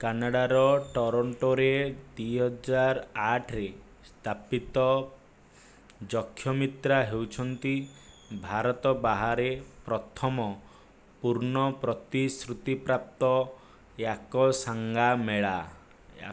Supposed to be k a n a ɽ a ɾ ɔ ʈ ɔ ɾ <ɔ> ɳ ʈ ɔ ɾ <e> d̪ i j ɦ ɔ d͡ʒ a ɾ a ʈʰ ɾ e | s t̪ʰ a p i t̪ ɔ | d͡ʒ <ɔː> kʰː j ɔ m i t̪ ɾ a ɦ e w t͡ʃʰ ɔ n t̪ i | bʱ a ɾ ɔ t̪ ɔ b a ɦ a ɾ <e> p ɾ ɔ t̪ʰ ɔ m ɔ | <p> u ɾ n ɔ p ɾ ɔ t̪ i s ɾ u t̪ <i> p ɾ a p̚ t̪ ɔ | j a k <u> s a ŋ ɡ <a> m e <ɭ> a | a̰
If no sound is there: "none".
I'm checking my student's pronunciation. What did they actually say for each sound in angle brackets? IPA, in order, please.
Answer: ɔ, e, ɔ, e, p, i, ɔ, a, ɭ

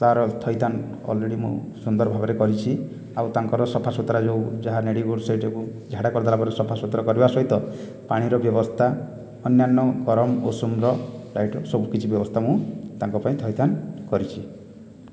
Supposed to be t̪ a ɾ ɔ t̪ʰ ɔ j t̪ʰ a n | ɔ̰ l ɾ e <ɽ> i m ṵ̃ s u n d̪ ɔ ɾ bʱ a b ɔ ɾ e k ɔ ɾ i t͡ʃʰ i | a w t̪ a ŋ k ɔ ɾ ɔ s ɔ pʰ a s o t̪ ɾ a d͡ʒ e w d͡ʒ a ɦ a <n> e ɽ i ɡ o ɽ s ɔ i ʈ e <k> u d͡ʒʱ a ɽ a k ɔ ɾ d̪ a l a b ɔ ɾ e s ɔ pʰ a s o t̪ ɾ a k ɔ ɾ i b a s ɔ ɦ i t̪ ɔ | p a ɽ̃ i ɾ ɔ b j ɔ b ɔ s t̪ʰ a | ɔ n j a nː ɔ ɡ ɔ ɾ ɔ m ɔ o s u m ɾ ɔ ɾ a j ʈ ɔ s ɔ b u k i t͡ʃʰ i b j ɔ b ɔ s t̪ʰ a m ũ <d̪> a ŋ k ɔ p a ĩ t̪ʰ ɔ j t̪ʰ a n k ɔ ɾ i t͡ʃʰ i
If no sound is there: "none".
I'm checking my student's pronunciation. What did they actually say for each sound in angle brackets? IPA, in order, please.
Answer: ɽ, n, k, t̪

